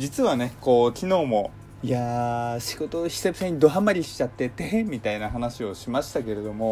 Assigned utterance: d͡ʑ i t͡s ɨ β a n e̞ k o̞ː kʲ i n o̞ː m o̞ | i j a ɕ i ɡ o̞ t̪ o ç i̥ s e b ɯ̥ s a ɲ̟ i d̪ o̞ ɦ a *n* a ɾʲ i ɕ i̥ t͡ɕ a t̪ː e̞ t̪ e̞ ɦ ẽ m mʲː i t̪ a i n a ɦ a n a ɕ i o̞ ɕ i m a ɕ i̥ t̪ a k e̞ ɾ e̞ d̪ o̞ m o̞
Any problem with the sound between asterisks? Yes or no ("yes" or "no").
yes